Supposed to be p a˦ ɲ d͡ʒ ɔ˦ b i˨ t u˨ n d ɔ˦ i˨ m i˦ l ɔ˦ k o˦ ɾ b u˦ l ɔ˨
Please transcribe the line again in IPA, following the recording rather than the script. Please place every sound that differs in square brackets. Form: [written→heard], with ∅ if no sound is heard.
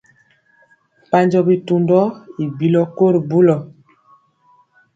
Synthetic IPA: p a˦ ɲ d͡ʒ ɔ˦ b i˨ t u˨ n d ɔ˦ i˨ [m→b] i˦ l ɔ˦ k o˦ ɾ b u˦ l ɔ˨